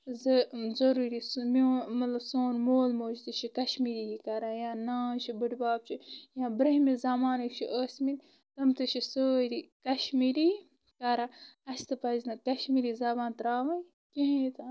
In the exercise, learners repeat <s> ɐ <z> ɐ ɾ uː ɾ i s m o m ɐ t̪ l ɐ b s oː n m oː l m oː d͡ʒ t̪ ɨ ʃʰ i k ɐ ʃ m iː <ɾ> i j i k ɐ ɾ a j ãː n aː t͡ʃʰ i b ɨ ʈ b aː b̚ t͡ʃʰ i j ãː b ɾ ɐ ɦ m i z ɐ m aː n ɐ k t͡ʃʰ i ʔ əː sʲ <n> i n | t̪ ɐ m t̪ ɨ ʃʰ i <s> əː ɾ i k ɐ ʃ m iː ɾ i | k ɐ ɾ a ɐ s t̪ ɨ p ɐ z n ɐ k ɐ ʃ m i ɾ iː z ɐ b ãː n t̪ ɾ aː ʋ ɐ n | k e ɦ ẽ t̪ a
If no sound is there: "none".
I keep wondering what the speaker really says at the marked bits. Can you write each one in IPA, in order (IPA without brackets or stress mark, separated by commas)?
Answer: z, z, ɾ, m, s